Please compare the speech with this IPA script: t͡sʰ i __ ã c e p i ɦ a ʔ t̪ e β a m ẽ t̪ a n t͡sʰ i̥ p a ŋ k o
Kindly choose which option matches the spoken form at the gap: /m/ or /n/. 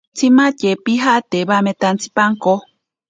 m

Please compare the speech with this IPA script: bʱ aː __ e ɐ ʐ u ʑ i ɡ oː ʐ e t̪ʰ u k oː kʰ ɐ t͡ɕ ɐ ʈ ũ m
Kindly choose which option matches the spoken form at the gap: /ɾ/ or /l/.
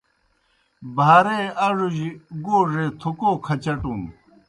ɾ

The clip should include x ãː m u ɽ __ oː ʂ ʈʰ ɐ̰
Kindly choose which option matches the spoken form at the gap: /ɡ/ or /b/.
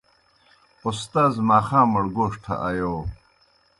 ɡ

